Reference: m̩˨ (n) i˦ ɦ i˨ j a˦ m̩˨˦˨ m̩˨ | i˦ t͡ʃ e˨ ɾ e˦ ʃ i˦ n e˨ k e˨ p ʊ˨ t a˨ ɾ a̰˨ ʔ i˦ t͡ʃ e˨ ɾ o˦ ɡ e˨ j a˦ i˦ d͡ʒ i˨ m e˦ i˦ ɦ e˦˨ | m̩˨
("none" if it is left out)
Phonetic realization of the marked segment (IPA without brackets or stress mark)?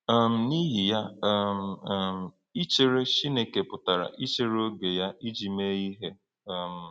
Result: n